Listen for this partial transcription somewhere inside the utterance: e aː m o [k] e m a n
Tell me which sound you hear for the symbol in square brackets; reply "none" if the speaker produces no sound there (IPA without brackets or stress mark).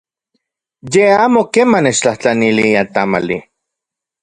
k